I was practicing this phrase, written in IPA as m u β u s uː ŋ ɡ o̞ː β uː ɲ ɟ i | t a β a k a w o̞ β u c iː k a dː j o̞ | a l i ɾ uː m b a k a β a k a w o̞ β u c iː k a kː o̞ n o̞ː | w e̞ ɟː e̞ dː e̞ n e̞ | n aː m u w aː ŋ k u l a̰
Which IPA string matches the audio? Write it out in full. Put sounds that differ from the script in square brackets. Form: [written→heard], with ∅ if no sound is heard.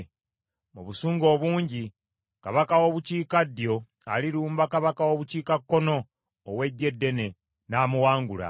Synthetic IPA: m u β u s uː ŋ ɡ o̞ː β uː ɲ ɟ i | [t→k] a β a k a w o̞ β u c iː k a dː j o̞ | a l i ɾ uː m b a k a β a k a w o̞ β u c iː k a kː o̞ n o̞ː | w e̞ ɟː e̞ dː e̞ n e̞ | n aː m u w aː ŋ [k→ɡ] u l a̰